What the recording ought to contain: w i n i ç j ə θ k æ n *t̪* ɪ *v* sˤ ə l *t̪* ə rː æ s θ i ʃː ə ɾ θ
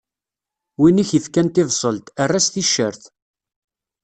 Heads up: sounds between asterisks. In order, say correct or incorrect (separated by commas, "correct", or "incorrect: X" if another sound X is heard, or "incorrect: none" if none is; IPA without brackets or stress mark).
correct, correct, correct